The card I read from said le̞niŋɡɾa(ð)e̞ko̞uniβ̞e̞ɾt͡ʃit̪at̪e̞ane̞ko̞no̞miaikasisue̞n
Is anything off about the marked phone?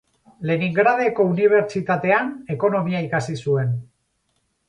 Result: no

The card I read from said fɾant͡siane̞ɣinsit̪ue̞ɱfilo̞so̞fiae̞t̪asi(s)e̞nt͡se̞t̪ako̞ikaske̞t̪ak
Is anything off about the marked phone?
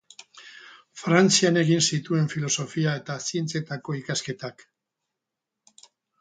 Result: yes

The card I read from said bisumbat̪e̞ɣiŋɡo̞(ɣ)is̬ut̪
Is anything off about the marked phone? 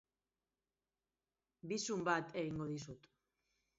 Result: yes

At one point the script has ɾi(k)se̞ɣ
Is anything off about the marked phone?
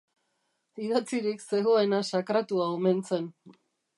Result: no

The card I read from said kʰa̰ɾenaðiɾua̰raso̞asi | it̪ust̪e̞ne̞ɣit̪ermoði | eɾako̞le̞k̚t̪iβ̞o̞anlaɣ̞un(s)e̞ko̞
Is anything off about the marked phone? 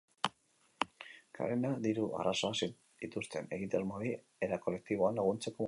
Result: yes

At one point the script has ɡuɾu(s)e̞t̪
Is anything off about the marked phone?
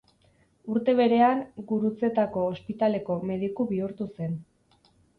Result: yes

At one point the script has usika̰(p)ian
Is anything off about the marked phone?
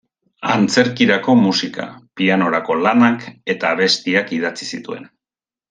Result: no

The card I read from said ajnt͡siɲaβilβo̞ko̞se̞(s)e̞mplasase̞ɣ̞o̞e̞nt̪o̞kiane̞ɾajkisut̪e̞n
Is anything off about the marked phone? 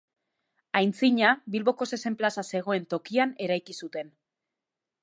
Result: no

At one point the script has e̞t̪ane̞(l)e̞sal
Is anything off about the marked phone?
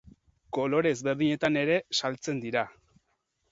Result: yes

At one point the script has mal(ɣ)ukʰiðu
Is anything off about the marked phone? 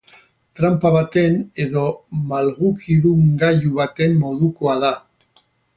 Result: no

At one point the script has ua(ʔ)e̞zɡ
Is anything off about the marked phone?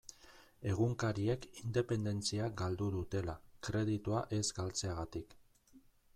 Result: no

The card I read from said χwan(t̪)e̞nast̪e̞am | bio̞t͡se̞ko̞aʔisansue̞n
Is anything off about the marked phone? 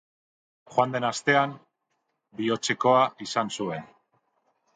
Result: yes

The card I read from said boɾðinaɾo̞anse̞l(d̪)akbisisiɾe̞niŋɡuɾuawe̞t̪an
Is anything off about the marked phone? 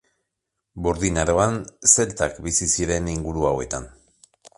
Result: yes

